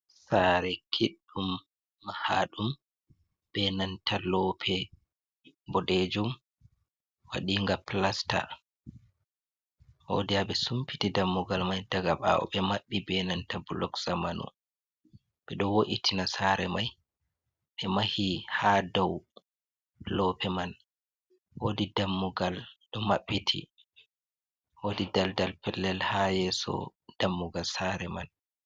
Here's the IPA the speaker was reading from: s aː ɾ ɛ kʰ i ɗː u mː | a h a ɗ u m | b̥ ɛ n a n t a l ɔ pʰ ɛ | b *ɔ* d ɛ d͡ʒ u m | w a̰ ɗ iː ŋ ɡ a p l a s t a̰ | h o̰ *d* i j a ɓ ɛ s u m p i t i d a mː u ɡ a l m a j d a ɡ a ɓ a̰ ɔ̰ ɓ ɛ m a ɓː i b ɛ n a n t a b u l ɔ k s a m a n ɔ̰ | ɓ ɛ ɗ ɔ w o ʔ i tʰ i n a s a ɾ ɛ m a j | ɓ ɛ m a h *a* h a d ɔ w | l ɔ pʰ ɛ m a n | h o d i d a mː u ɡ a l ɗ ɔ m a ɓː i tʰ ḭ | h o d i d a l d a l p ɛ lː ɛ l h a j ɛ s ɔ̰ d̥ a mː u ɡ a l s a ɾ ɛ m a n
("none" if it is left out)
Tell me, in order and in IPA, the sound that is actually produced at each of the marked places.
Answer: ɔ, d, i

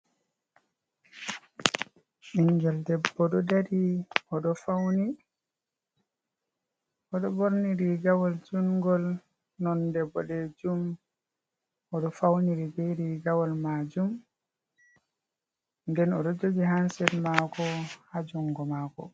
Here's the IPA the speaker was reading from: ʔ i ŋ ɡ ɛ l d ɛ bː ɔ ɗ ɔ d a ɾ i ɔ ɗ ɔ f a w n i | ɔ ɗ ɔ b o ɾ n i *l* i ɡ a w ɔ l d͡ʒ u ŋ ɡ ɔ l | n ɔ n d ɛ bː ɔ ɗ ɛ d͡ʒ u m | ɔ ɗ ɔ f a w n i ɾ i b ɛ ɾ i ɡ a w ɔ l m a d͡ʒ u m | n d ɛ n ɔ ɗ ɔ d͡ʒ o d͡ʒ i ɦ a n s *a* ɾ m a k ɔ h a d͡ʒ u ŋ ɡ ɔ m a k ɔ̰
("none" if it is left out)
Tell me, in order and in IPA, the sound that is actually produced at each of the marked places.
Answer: ɾ, ɛ

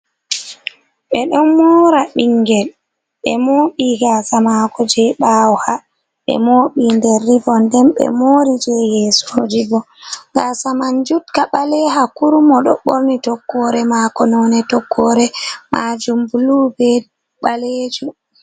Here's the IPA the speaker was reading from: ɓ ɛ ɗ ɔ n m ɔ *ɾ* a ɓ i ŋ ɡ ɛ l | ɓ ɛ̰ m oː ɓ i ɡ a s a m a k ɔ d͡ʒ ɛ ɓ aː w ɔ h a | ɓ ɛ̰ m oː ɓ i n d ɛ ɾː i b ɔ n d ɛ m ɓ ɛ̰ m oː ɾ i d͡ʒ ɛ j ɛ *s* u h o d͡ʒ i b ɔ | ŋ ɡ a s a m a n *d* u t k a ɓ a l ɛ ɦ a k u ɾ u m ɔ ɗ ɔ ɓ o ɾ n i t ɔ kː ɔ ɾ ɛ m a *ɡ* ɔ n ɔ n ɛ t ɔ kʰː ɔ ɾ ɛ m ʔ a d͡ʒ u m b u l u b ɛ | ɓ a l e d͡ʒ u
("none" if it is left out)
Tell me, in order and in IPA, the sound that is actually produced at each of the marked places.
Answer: ɾ, s, d͡ʒ, k

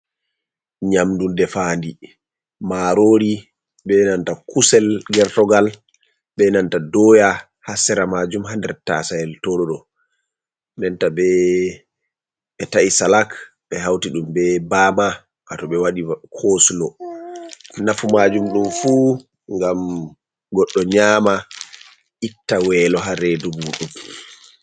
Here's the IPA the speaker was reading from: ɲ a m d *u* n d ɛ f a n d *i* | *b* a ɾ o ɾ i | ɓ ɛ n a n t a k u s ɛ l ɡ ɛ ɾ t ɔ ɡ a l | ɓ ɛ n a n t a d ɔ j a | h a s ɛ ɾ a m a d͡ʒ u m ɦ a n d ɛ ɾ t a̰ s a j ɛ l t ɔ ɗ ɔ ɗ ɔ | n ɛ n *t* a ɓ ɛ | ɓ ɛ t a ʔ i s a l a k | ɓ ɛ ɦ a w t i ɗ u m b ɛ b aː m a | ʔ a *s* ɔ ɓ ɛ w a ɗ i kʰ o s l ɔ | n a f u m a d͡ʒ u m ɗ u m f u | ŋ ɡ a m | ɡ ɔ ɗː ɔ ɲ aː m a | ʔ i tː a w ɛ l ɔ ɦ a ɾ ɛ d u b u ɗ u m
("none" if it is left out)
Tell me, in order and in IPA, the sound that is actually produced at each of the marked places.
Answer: u, i, m, t, t

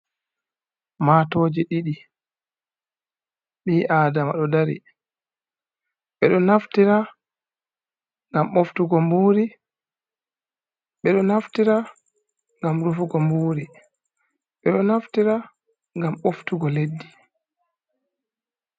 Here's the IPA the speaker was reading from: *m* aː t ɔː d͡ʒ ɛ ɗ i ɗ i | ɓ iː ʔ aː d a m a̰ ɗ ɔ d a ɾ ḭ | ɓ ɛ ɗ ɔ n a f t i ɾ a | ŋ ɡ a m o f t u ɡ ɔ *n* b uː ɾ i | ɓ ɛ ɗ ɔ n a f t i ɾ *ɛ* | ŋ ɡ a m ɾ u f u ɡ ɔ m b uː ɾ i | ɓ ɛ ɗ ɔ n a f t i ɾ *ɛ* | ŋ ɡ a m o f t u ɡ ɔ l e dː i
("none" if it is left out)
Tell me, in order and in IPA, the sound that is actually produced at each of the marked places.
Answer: m, m, a, a

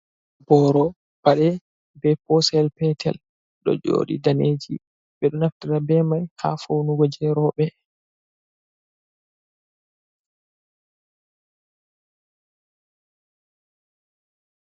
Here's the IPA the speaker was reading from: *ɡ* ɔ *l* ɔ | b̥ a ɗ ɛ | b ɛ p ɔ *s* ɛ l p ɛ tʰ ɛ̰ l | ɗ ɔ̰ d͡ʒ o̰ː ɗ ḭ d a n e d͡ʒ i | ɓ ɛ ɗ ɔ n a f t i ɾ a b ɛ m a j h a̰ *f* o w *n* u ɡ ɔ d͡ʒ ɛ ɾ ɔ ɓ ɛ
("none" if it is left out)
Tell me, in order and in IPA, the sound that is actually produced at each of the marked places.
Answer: b, ɾ, s, f, n

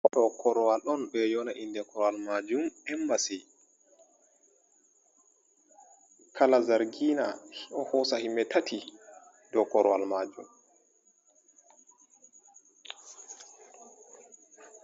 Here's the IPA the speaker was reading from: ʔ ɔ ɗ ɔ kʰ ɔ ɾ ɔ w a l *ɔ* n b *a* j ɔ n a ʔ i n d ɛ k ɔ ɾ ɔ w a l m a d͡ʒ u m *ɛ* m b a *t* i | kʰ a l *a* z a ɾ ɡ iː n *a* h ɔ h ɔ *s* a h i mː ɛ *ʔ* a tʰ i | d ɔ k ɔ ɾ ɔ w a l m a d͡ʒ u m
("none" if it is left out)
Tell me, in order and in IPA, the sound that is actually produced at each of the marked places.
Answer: ɔ, ɛ, ɛ, s, a, a, s, t

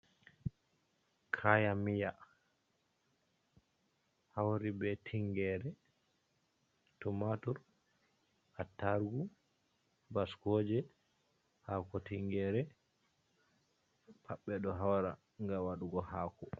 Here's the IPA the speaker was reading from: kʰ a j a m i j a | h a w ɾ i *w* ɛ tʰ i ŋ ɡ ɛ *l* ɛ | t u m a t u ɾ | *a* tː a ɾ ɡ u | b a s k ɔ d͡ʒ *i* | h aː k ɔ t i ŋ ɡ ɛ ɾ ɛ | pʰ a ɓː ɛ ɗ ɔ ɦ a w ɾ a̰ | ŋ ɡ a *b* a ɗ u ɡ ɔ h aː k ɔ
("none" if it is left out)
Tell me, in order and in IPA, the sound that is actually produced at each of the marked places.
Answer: b, ɾ, a, ɛ, w

